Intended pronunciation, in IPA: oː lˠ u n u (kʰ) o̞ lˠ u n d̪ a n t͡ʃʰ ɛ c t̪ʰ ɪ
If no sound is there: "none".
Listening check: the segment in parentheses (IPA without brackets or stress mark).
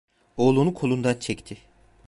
kʰ